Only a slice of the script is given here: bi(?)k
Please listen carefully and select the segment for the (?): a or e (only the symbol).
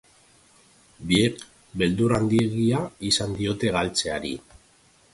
e